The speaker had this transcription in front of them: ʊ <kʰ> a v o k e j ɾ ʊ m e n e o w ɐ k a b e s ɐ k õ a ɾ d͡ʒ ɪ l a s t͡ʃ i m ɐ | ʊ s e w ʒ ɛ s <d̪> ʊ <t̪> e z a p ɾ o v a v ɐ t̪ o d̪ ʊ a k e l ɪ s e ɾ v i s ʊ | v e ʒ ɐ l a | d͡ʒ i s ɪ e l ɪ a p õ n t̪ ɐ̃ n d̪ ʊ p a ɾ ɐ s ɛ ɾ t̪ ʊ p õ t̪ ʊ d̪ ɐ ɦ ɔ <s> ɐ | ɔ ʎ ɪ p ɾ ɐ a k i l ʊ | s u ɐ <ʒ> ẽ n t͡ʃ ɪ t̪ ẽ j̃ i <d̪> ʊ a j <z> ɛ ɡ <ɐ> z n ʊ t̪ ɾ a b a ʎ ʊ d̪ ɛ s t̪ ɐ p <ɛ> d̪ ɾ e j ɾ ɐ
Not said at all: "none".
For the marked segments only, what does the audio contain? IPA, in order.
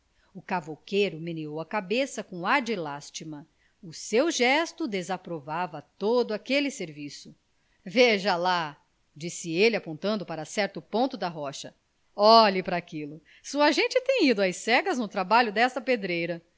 k, t̪, d̪, ʃ, ʒ, d̪, s, ɐ, e

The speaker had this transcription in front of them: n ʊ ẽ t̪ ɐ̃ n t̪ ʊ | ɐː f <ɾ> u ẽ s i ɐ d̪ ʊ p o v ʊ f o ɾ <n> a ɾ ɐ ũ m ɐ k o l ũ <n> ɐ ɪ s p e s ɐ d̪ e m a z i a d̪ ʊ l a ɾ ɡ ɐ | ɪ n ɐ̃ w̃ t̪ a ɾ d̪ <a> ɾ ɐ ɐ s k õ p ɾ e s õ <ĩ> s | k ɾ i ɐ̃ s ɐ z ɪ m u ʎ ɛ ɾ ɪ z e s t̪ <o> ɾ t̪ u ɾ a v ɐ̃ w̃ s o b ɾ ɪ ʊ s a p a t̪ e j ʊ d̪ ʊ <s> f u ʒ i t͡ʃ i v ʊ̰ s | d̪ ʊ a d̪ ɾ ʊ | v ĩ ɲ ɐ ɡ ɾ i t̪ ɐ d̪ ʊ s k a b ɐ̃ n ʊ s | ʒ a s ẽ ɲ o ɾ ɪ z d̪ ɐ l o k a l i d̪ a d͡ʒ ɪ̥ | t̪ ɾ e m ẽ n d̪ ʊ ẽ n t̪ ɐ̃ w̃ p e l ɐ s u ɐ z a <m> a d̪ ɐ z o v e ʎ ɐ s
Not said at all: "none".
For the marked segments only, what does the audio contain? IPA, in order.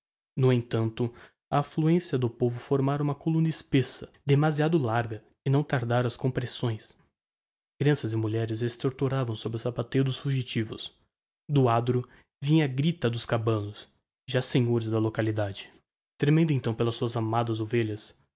l, m, n, a, j̃, o, s, m

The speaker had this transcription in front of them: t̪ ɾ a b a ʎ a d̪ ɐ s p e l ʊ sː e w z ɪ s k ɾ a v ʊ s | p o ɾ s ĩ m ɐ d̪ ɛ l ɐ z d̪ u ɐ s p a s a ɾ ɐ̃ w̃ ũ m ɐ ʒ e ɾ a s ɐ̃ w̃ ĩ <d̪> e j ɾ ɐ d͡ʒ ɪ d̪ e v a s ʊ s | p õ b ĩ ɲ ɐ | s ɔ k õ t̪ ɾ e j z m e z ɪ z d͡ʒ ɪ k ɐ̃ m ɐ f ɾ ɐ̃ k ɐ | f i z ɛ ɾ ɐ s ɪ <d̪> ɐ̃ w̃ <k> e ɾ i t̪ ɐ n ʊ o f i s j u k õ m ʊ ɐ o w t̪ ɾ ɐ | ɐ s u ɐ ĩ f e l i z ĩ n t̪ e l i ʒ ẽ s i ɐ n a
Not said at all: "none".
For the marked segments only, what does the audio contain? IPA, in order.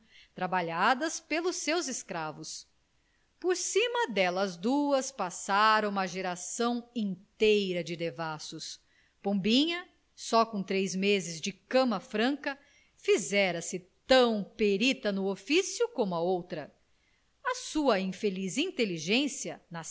t̪, t̪, p

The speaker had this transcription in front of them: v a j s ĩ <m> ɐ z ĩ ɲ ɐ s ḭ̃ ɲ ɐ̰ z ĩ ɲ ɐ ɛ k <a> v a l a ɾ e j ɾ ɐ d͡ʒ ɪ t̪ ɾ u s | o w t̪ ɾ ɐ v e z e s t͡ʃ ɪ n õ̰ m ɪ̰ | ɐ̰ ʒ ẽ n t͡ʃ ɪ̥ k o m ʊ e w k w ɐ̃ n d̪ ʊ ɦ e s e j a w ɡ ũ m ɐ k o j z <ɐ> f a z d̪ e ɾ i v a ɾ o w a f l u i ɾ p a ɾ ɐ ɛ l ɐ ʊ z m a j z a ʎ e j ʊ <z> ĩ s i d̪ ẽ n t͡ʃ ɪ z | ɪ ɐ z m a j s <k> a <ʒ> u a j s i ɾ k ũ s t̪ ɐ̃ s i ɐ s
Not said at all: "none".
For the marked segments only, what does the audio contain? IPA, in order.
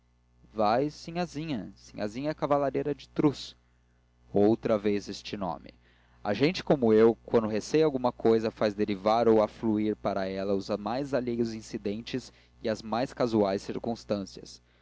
ɲ, a, ɐ, z, k, z

